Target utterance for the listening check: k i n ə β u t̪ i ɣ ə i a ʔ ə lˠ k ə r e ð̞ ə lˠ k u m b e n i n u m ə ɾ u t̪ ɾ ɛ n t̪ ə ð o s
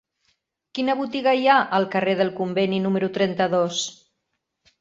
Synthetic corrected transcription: k i n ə β u t̪ i ɣ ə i a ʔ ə lˠ k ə r e ð̞ ə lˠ k u m b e n i n u m ə ɾ u t̪ ɾ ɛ n t̪ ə ð o s